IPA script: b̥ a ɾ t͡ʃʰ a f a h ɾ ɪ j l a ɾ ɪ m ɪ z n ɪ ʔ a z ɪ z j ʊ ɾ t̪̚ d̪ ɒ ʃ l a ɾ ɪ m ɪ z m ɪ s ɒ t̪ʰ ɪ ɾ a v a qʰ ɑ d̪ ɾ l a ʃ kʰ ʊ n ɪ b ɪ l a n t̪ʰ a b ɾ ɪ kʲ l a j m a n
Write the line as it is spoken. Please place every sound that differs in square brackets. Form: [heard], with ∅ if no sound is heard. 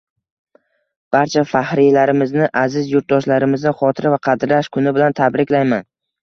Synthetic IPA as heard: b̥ a ɾ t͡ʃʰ a f a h ɾ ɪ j l a ɾ ɪ m ɪ z n ɪ ʔ a z ɪ z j ʊ ɾ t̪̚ d̪ ɒ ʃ l a ɾ ɪ m ɪ z [n] ɪ [χ] ɒ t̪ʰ ɪ ɾ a v a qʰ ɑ d̪ ɾ l a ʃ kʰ ʊ n ɪ b ɪ l a n t̪ʰ a b ɾ ɪ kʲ l a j m a n